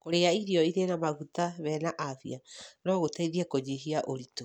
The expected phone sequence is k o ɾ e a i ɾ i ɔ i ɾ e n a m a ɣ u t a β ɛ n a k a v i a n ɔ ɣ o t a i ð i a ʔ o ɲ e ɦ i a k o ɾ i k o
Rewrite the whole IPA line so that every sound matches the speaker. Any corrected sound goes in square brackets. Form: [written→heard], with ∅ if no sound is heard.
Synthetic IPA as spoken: k o ɾ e a i ɾ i ɔ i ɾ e n a m a ɣ u t a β ɛ n a [k→ʔ] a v i a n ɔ ɣ o t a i ð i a [ʔ→k] o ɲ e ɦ i a [k→ʔ] o ɾ i [k→t] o

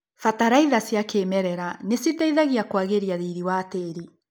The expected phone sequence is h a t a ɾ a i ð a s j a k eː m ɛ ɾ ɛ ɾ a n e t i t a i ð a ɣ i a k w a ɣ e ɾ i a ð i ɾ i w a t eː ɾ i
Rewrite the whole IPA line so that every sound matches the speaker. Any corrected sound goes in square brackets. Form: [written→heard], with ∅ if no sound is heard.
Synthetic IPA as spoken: [h→f] a t a ɾ a i ð a s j a k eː m ɛ ɾ ɛ ɾ a n e [t→s] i t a i ð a ɣ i a k w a ɣ e ɾ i a ð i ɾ i w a t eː ɾ i

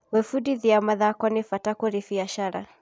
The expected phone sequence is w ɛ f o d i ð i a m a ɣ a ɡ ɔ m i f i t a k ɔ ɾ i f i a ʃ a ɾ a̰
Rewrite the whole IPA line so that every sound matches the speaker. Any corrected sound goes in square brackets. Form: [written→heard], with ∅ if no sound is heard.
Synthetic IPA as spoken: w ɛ f [o→u] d i ð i a m a [ɣ→ð] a [ɡ→k] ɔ [m→n] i f [i→a] t a k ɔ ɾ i f i a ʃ a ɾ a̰

